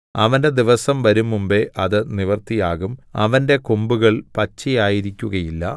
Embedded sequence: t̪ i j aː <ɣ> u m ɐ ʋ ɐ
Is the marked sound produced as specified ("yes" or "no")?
yes